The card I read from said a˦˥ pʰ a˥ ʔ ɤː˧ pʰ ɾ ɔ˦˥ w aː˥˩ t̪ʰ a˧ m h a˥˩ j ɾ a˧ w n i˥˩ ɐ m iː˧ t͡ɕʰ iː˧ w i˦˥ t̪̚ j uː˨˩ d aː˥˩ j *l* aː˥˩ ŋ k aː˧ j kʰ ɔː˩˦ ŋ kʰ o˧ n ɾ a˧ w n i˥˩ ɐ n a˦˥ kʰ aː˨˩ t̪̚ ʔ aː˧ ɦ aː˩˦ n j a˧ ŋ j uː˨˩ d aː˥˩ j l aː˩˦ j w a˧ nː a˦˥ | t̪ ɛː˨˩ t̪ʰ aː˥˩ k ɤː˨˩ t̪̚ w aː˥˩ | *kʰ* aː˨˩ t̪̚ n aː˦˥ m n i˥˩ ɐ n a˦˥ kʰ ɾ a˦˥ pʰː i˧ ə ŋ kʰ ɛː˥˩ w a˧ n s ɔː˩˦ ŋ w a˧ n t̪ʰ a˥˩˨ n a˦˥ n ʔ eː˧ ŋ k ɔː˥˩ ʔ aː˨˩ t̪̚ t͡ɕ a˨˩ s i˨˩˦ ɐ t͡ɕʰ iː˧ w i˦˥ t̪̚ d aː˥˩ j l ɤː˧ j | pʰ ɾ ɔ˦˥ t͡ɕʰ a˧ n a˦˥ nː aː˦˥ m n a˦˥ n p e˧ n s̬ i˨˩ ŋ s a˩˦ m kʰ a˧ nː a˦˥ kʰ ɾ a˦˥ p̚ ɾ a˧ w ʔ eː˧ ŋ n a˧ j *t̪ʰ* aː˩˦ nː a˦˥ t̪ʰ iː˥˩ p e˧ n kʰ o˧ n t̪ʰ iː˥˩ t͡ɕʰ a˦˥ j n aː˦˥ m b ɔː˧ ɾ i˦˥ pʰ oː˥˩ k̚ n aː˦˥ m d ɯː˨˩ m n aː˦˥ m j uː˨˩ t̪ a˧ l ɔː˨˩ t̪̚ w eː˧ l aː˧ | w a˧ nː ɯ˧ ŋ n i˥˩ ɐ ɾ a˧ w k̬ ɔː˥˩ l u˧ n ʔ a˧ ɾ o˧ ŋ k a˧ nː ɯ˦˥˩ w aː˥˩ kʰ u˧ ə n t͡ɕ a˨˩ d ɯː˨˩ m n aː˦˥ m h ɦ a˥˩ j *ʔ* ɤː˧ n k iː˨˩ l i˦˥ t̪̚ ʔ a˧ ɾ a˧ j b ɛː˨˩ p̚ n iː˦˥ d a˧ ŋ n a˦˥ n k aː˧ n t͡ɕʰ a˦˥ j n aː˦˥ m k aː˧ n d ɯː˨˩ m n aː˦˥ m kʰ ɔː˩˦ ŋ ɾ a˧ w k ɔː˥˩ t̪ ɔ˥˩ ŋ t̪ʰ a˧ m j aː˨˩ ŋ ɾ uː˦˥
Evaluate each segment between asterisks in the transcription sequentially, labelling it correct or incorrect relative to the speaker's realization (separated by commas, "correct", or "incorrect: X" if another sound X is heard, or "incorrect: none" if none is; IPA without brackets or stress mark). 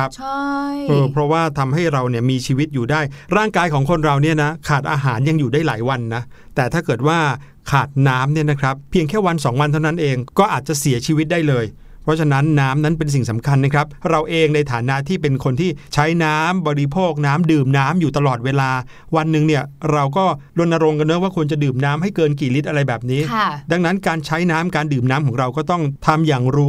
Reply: incorrect: ɾ, correct, correct, incorrect: k